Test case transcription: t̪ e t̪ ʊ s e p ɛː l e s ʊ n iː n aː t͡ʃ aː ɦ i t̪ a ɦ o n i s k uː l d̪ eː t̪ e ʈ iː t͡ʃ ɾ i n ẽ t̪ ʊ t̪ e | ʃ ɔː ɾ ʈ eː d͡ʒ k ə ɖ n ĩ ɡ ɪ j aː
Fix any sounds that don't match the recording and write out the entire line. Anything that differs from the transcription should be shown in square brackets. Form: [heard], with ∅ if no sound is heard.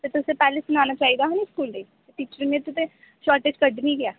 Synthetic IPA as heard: t̪ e t̪ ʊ s e p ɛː l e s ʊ n [aː] n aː t͡ʃ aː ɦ i [d̪] a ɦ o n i s k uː l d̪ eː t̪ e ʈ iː t͡ʃ ɾ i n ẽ t̪ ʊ t̪ e | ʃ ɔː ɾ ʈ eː d͡ʒ k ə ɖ n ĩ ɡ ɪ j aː